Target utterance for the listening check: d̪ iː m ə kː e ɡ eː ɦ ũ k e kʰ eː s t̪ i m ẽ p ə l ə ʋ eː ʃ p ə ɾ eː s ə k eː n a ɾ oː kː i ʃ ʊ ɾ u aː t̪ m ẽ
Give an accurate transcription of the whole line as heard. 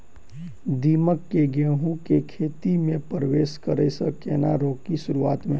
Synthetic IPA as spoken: d̪ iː m ə kː e ɡ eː ɦ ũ k e kʰ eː t̪ i m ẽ p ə ɾ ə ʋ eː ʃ k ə ɾ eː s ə k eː n a ɾ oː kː i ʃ ʊ ɾ u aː t̪ m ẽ